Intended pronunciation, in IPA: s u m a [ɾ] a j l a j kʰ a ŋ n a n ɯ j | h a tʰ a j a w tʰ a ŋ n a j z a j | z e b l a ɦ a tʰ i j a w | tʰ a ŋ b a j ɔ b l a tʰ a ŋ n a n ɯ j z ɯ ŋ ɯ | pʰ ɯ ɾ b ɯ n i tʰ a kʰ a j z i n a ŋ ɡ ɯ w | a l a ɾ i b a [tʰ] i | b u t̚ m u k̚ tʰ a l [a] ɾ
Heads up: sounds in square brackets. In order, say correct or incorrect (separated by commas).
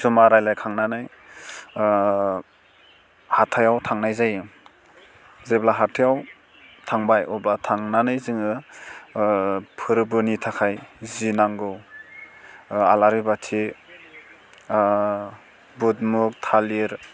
correct, correct, incorrect